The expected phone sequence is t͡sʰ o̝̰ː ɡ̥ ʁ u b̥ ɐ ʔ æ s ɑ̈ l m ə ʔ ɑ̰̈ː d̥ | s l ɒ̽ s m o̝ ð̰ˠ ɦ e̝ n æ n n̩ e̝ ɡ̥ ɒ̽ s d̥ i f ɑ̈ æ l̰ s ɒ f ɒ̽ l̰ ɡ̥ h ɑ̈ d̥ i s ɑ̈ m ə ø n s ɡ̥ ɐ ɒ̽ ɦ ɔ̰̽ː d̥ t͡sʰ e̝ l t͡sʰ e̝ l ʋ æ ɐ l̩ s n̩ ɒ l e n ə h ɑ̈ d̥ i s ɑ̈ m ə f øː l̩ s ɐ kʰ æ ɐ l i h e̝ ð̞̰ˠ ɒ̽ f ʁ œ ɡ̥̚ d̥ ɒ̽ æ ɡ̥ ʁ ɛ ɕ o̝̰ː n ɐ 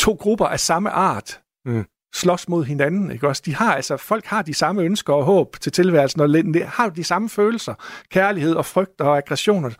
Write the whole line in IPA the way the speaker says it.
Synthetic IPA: t͡sʰ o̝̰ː ɡ̥ ʁ u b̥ ɐ ʔ æ s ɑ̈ m ə ʔ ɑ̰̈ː d̥ | s l ɒ̽ s m o̝ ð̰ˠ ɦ e̝ n æ n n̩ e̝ ɡ̥ ɒ̽ s d̥ i h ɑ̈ æ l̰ s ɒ f ɒ̽ l̰ ɡ̥ h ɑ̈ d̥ i s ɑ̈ m ə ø n s ɡ̥ ɐ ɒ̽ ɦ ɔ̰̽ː b̥ t͡sʰ e̝ l t͡sʰ e̝ l ʋ æ ɐ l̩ s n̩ ɒ l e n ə h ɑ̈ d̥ i s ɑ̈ m ə f øː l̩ s ɐ kʰ æ ɐ l i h e̝ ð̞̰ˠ ɒ̽ f ʁ œ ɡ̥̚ d̥ ɒ̽ æ ɡ̥ ʁ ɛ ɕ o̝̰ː n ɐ